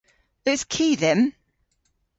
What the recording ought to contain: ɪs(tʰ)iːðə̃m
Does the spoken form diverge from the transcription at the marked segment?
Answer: yes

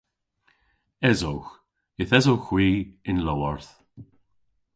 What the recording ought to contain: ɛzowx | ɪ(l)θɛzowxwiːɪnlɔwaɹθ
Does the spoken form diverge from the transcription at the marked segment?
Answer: yes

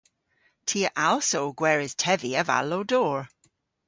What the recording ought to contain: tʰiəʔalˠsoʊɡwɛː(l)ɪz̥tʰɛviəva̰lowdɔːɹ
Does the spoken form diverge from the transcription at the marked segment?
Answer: yes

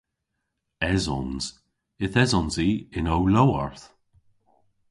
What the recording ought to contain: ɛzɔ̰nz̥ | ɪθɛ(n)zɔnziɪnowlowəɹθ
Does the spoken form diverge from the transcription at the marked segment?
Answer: yes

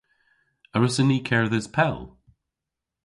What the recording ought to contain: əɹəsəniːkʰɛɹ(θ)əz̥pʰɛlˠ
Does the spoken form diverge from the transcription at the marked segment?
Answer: yes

